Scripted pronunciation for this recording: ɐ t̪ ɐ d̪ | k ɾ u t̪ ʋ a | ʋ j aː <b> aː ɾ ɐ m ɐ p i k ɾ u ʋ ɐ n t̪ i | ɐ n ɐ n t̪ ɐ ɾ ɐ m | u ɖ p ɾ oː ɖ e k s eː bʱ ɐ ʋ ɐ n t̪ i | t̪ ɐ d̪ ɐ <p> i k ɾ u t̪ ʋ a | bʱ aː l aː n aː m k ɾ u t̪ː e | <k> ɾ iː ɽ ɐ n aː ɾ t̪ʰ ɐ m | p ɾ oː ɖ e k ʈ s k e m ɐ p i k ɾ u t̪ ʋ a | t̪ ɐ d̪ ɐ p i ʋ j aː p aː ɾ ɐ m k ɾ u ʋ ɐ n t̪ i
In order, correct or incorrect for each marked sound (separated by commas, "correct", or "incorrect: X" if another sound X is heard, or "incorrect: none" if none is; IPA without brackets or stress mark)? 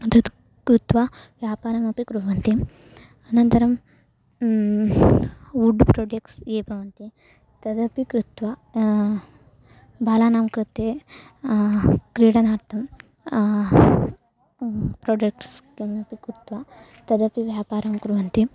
incorrect: p, correct, correct